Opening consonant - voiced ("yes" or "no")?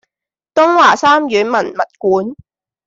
no